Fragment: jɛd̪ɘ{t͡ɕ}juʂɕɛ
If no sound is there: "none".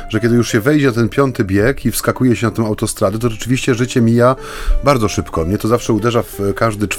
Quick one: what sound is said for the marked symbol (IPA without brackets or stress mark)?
none